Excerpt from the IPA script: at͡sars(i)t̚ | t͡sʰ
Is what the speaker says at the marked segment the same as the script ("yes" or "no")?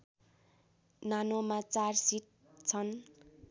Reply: yes